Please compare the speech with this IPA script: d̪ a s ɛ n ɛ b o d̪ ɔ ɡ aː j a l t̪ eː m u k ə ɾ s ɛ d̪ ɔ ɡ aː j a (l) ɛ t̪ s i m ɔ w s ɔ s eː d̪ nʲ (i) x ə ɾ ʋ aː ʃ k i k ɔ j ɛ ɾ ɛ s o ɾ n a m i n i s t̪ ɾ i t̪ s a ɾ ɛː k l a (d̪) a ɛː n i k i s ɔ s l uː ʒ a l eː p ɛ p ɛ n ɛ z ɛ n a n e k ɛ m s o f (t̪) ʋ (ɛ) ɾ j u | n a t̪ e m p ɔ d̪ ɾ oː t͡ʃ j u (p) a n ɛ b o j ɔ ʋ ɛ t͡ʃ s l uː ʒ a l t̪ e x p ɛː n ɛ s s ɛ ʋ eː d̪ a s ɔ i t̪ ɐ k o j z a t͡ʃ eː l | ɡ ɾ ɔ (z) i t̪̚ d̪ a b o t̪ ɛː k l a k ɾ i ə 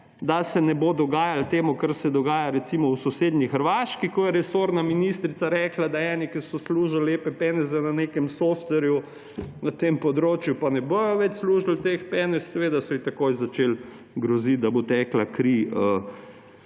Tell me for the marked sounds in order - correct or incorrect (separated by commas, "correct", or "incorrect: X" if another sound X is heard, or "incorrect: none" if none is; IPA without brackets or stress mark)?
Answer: incorrect: ɾ, correct, correct, correct, correct, correct, correct